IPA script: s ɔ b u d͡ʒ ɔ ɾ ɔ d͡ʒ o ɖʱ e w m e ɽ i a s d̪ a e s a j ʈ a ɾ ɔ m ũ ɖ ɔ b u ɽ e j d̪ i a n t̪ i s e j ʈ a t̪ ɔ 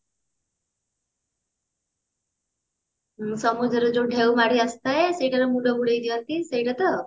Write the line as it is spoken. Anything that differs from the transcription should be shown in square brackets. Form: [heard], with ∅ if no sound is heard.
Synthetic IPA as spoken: s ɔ [m] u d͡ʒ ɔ ɾ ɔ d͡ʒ o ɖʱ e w m [a] ɽ i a s [t̪] a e s [e] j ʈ a ɾ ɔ m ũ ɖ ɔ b u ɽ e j d̪ i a n t̪ i s e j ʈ a t̪ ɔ